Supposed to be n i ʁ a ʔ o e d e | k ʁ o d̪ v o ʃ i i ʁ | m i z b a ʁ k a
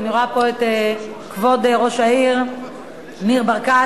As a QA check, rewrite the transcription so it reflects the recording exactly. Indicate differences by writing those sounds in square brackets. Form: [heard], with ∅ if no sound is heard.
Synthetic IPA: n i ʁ a [p] o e [t] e | k [v] o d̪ [ʁ] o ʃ [a] i ʁ | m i [ʁ] b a ʁ k a